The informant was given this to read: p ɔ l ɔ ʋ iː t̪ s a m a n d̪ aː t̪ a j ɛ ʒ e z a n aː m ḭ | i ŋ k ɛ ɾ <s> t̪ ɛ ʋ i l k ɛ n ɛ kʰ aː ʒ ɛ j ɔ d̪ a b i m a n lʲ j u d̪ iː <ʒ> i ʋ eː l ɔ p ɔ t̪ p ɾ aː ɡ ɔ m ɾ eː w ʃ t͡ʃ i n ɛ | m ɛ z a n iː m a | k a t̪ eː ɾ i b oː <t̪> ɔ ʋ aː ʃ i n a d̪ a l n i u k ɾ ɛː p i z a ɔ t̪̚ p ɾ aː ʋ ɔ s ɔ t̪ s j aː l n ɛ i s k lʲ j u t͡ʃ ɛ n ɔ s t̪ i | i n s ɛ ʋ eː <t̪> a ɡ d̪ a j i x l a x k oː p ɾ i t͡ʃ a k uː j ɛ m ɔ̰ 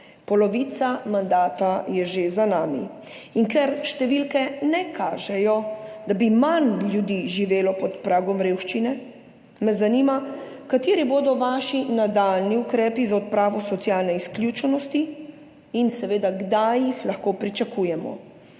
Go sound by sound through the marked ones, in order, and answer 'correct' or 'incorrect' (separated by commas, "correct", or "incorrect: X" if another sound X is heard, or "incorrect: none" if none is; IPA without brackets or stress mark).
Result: incorrect: ʃ, correct, incorrect: d̪, incorrect: d̪